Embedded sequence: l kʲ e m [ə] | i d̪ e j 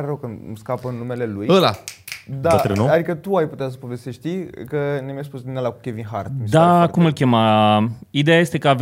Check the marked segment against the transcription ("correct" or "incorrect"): incorrect